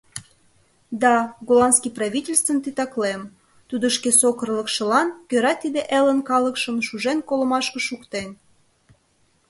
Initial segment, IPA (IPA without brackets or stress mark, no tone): d̪